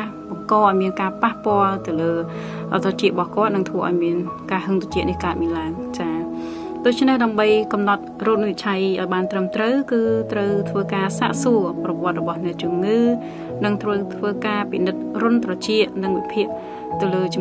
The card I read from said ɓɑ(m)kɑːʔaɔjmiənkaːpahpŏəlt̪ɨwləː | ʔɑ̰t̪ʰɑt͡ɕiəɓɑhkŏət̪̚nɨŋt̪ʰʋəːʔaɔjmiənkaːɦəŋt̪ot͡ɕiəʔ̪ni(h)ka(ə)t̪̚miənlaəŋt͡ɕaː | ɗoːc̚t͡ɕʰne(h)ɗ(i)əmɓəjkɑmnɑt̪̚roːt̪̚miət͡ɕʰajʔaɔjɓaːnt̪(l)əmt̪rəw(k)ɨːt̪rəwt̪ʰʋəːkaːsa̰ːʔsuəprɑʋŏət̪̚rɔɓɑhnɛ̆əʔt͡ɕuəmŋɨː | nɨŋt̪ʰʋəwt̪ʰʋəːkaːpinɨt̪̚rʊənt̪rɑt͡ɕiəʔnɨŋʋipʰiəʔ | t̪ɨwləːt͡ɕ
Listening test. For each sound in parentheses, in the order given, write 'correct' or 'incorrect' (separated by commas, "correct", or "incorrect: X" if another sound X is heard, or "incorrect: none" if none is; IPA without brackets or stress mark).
incorrect: ŋ, correct, correct, correct, incorrect: a, incorrect: r, correct